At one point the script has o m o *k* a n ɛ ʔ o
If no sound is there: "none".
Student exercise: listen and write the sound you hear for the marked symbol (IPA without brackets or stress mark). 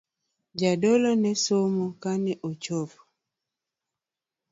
k